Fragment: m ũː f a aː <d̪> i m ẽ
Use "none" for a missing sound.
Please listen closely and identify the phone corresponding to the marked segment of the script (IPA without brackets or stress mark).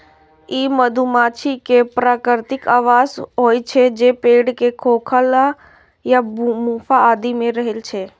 d̪